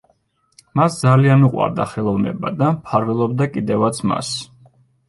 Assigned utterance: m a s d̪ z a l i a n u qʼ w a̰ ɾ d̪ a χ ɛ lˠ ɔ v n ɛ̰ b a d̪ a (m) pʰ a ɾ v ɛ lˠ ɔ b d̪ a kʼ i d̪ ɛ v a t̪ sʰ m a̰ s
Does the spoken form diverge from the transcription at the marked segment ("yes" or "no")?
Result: no